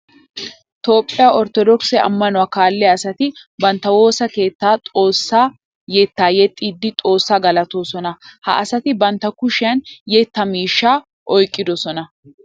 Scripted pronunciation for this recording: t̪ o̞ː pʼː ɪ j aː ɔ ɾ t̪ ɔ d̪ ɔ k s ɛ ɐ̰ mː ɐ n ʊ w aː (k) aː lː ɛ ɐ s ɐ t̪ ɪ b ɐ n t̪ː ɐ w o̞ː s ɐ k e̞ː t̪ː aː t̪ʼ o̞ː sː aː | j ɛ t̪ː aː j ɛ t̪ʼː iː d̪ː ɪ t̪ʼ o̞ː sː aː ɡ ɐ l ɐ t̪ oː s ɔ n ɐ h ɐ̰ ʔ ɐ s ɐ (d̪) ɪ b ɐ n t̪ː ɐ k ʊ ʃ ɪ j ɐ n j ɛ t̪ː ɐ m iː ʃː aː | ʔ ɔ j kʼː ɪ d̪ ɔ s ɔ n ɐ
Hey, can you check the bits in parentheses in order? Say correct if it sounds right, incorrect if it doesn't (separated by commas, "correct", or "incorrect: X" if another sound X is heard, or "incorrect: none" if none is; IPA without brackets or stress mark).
correct, incorrect: t̪